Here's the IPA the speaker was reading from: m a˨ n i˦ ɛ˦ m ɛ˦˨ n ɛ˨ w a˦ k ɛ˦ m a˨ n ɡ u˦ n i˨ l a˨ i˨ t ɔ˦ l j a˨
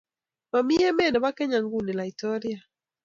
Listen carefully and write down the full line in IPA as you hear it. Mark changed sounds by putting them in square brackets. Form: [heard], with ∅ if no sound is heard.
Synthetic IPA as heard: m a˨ [m] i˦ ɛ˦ m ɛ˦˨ n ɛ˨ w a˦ k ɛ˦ [ɲ] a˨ [ŋ] ɡ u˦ n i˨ l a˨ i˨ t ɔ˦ [ɾ] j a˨